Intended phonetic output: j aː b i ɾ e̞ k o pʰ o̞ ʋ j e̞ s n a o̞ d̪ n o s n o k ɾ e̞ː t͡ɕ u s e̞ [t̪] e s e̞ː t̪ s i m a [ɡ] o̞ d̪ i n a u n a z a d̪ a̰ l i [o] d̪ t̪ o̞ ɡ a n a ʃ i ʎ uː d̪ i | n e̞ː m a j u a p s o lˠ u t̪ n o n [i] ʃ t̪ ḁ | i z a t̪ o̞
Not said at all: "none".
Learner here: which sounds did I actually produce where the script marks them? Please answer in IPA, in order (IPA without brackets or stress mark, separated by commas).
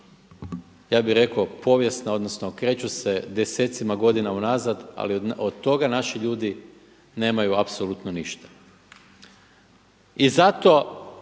d̪, ɡ, o, i